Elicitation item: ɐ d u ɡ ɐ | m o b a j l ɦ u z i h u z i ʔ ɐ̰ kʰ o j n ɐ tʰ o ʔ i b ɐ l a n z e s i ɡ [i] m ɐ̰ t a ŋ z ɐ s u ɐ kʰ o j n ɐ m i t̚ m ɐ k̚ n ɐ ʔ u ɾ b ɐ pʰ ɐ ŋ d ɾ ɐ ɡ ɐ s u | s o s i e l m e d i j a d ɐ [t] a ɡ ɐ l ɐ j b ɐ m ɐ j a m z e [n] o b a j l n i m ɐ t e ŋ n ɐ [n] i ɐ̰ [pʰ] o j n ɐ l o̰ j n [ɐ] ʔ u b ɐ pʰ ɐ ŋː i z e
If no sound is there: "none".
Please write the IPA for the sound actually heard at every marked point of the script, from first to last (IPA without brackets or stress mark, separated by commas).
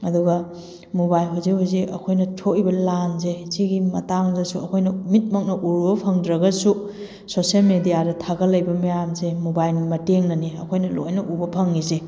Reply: i, tʰ, m, n, kʰ, ɐ